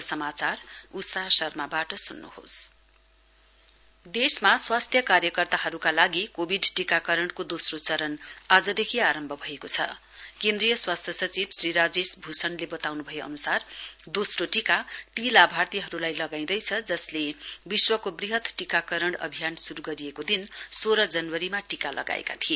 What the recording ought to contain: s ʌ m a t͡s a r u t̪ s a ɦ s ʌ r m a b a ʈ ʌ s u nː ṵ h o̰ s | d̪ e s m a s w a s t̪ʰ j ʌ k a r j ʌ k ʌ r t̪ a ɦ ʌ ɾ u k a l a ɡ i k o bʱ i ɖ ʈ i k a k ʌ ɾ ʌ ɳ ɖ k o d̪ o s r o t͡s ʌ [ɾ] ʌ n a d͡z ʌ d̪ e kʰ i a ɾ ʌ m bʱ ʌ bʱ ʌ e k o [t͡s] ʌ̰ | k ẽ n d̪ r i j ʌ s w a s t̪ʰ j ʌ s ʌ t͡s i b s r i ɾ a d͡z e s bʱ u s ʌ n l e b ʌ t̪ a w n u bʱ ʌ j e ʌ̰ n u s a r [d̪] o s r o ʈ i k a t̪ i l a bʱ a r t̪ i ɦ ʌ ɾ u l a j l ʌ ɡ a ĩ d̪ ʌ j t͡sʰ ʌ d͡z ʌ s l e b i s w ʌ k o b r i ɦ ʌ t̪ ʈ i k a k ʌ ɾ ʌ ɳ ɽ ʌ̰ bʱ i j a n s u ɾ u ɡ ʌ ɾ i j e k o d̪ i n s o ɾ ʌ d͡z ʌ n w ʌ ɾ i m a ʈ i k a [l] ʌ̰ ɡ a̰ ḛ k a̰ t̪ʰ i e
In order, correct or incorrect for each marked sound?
correct, incorrect, correct, correct

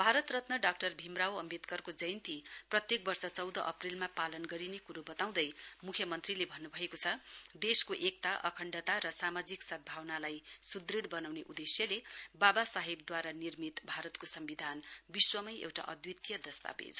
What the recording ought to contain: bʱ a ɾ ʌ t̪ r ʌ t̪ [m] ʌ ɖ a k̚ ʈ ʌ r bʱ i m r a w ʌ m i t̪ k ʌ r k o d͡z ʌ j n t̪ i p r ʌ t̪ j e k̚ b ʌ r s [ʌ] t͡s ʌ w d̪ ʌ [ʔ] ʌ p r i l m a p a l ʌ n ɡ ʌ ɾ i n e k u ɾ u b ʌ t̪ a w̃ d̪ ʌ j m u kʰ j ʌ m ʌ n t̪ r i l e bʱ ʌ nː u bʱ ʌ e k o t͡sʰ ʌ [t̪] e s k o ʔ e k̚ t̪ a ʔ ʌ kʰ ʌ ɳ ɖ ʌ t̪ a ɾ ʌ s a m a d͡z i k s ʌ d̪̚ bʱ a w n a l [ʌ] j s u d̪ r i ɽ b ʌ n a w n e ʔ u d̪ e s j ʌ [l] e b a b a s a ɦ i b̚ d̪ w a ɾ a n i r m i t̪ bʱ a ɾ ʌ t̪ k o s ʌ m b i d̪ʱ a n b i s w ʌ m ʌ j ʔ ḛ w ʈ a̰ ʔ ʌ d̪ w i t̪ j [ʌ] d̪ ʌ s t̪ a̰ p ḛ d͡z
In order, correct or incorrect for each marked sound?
incorrect, correct, correct, incorrect, incorrect, correct, correct

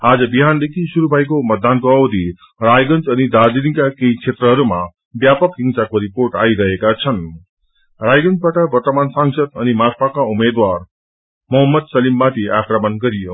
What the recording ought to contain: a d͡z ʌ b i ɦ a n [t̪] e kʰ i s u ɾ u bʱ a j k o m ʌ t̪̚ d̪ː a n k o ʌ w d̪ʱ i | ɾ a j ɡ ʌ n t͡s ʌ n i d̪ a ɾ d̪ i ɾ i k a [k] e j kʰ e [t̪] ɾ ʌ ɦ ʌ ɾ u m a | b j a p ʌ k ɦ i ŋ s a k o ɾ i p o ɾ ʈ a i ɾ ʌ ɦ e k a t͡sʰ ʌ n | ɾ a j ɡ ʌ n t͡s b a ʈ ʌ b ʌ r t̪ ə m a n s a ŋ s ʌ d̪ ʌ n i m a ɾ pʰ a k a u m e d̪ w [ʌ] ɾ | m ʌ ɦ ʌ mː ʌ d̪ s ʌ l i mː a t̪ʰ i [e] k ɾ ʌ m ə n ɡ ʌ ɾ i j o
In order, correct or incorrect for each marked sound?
incorrect, correct, correct, incorrect, incorrect

